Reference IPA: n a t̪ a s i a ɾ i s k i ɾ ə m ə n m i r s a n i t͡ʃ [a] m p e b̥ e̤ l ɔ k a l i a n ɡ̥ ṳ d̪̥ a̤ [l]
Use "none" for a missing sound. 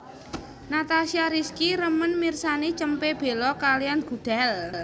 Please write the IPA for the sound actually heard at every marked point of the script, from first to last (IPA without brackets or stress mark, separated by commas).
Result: ə, l